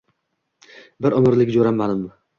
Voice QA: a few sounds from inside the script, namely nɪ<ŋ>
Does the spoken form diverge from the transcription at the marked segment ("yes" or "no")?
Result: yes